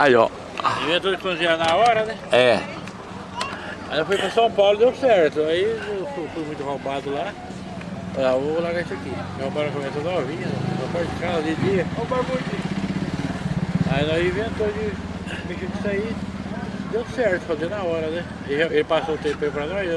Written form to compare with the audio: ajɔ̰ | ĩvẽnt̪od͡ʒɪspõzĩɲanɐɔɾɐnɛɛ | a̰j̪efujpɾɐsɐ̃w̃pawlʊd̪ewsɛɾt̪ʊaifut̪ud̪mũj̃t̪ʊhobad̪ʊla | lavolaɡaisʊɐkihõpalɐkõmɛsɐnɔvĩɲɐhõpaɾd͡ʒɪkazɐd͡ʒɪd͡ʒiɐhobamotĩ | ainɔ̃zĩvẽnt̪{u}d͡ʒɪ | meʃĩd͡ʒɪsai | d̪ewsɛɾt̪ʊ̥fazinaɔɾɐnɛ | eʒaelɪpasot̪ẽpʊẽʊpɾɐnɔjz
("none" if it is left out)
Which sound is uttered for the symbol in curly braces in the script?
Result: o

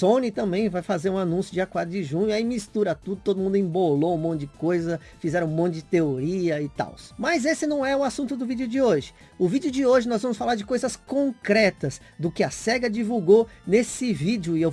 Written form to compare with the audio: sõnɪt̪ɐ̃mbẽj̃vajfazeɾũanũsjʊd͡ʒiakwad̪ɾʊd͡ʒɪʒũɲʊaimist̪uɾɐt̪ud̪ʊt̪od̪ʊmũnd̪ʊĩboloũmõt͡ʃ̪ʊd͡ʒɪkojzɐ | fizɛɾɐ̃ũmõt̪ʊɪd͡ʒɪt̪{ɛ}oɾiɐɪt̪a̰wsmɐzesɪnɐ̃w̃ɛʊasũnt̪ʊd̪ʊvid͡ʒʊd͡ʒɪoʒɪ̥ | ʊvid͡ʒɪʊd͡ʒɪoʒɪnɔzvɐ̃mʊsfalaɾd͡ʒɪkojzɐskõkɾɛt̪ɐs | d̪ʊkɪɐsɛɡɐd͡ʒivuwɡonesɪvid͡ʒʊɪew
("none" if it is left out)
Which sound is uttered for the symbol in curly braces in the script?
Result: e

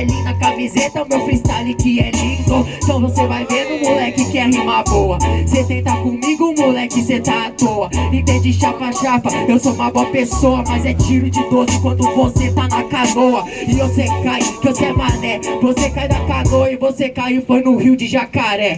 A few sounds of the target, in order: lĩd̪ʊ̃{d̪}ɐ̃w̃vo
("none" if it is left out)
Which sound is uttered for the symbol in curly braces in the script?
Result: t̪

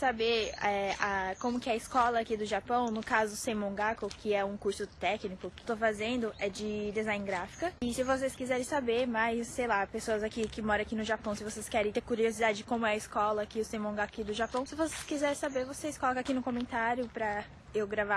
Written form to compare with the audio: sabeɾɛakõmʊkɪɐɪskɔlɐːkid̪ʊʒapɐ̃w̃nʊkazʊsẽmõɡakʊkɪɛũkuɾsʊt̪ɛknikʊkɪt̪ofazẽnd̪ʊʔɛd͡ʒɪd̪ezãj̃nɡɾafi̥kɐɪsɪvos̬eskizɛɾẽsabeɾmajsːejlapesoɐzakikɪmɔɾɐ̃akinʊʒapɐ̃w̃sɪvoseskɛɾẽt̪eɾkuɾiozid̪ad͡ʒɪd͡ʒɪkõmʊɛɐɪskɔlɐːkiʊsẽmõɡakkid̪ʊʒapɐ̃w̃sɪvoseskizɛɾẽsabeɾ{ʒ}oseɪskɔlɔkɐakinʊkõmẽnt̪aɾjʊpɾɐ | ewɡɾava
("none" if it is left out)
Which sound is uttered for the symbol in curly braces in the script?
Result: v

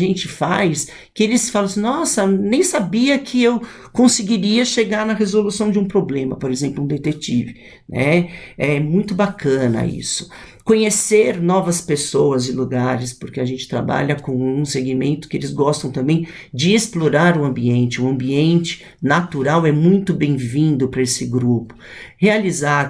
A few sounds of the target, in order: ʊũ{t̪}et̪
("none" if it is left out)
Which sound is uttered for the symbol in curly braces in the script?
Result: d̪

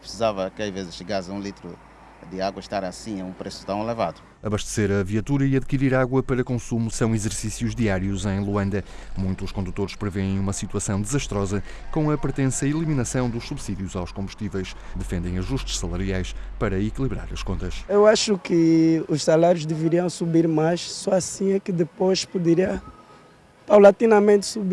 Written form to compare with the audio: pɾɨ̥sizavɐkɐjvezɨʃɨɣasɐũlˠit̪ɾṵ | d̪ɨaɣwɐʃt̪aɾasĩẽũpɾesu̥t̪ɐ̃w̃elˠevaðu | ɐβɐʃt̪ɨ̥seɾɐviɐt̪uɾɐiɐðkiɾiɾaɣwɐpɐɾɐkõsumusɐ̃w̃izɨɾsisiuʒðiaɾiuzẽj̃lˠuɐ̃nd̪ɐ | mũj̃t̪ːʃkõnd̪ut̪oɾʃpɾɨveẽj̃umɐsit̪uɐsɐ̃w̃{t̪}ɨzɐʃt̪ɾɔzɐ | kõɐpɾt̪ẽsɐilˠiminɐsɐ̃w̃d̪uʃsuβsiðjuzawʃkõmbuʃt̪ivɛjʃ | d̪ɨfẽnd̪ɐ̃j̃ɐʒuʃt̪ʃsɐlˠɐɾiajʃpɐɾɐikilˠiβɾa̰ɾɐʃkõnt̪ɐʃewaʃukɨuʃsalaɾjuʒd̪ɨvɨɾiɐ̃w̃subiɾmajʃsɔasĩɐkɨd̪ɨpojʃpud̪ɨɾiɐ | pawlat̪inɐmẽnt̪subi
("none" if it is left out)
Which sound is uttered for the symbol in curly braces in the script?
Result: d̪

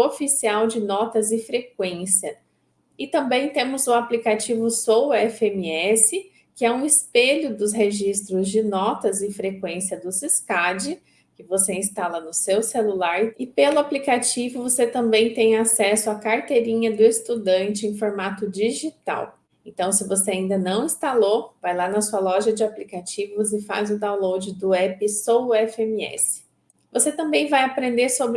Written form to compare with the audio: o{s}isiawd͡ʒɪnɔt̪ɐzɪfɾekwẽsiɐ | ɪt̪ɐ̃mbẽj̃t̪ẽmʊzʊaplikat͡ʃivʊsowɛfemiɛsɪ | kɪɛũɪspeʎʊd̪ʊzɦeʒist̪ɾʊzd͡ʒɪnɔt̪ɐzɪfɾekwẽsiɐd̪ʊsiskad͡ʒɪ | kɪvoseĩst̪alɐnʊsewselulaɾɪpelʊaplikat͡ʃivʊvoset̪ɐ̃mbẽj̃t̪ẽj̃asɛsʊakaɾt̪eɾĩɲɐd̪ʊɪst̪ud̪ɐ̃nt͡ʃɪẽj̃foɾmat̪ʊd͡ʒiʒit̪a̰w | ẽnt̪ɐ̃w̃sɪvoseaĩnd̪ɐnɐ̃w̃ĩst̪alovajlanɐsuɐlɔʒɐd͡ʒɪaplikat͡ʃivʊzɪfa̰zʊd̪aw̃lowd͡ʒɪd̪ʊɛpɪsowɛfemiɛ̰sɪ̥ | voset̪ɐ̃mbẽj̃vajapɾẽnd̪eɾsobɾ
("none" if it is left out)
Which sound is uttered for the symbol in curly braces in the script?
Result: f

